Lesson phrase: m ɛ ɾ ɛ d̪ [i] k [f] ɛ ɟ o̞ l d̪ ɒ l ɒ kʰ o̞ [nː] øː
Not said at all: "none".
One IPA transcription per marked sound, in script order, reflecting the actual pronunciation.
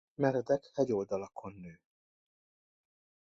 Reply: ɛ, h, nː

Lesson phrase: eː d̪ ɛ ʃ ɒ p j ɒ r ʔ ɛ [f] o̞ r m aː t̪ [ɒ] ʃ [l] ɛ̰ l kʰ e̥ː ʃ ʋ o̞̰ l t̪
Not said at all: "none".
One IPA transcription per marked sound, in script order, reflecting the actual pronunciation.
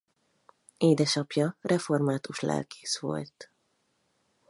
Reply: f, u, l

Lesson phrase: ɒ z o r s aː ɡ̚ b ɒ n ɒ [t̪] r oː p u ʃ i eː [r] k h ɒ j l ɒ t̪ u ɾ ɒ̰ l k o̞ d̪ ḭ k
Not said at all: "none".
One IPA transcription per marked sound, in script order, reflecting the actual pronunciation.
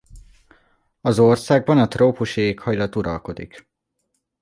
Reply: t̪, none

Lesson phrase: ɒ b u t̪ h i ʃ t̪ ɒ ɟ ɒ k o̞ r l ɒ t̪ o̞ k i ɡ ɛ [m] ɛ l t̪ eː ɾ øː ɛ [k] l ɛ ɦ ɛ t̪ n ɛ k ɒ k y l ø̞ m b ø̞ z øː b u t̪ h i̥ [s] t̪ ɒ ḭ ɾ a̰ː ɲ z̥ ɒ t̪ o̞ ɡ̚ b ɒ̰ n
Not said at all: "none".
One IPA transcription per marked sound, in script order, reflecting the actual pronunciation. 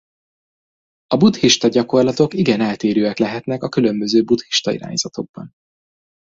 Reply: n, k, ʃ

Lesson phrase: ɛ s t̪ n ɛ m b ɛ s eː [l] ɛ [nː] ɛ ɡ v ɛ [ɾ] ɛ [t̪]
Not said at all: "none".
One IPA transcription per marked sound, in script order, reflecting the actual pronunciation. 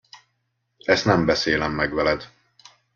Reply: l, mː, l, d̪

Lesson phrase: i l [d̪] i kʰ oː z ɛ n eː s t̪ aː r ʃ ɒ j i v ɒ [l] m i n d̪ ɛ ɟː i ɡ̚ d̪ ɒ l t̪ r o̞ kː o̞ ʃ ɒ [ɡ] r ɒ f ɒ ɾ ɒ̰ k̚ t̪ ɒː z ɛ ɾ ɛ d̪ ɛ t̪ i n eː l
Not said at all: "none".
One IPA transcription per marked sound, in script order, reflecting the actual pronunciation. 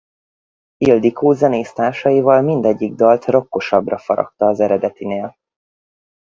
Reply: d̪, l, b

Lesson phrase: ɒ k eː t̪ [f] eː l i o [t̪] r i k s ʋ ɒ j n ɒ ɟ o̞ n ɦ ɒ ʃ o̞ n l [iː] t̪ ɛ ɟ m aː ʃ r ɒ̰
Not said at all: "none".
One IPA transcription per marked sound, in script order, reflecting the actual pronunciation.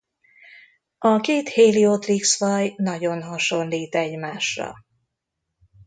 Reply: h, t̪, iː

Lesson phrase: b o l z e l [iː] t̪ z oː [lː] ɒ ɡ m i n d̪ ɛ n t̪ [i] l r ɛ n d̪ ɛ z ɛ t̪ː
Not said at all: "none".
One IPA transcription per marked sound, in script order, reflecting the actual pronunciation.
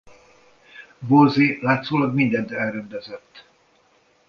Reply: aː, l, ɛ

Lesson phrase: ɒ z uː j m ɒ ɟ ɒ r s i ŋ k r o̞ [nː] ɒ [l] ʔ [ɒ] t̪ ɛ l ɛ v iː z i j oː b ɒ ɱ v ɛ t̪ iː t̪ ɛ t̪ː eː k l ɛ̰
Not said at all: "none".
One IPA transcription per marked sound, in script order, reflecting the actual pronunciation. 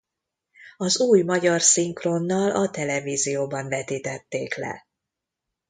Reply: nː, l, ɒ

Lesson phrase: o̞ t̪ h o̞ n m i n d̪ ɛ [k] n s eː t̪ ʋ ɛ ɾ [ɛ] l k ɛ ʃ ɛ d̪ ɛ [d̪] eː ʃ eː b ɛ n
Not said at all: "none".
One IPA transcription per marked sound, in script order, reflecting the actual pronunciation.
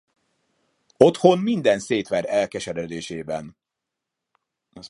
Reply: none, ɛ, d̪

